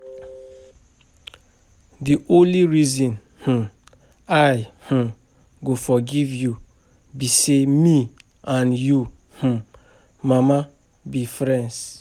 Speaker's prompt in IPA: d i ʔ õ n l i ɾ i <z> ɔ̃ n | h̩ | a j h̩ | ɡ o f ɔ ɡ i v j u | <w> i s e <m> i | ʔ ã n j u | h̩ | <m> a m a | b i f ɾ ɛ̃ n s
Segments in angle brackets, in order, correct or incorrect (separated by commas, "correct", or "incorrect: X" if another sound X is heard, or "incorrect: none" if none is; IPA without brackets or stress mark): correct, incorrect: b, correct, correct